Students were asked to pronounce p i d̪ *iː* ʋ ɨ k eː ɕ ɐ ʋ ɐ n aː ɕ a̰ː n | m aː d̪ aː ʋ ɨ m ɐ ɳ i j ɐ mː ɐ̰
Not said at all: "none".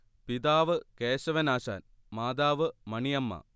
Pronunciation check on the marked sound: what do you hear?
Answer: aː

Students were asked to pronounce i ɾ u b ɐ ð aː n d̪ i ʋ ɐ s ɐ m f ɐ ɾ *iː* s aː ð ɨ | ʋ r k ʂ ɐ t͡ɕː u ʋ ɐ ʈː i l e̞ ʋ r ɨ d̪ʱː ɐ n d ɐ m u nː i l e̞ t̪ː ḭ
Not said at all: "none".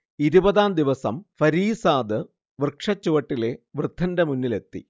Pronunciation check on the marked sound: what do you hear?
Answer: iː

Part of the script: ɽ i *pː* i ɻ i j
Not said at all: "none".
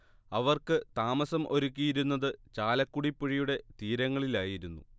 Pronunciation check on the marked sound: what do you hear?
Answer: pː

